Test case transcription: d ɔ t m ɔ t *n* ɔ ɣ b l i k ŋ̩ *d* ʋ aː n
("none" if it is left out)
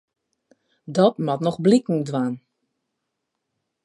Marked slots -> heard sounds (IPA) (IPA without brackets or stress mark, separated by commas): n, d